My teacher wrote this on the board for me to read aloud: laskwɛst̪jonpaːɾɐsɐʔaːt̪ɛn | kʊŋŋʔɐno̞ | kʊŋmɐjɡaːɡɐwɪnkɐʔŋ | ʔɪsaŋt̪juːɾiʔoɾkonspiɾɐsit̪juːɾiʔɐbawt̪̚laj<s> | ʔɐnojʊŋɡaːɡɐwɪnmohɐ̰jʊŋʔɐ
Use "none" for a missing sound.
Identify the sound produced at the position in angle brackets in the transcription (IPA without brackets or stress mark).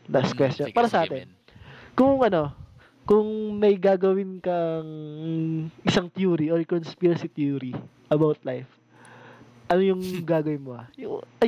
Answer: f